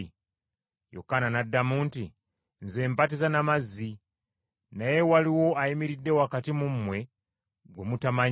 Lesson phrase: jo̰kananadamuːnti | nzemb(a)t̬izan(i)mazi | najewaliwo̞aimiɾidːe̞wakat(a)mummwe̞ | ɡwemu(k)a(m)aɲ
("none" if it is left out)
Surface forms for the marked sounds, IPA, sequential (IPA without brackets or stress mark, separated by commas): a, a, i, t, m